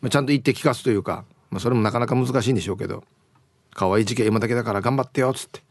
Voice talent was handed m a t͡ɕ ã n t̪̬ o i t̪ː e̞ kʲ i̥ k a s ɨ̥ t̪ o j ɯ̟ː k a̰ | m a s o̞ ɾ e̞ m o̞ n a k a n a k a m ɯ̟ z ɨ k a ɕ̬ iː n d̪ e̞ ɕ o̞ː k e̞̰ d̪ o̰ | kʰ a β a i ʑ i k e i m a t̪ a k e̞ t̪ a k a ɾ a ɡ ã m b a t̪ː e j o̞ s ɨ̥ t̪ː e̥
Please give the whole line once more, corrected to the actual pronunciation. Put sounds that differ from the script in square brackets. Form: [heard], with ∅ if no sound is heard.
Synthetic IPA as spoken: m a t͡ɕ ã n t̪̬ o i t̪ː e̞ kʲ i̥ k a s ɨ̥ t̪ o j ɯ̟ː k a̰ | m a s o̞ ɾ e̞ m o̞ n a k a n a k a m ɯ̟ z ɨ k a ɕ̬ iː n d̪ e̞ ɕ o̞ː k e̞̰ d̪ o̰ | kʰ a β a i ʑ i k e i m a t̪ a k e̞ [d̪] a k a ɾ a ɡ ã m b a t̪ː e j o̞ [t͡s] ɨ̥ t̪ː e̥